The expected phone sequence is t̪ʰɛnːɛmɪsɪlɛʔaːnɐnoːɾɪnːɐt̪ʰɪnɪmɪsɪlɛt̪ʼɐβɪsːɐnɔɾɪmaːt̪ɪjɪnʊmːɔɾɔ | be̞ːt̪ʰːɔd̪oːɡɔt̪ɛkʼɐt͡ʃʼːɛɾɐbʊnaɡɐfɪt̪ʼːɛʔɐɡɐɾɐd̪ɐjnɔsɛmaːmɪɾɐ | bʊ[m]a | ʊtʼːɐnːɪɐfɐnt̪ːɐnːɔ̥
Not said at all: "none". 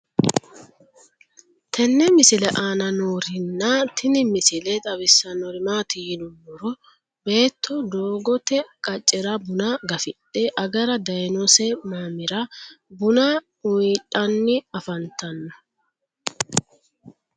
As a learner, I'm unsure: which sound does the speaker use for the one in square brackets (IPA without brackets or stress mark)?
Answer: n